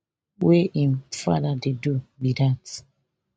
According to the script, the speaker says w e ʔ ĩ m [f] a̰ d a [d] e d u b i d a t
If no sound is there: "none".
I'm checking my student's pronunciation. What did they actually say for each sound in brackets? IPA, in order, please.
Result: f, d

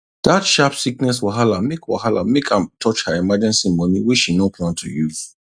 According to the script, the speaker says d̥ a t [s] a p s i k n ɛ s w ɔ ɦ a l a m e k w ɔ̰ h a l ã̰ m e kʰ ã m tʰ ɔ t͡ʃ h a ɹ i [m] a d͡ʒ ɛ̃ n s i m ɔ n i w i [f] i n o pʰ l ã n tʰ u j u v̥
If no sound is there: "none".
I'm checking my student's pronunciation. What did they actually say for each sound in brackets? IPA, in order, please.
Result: ʃ, m, ʃ

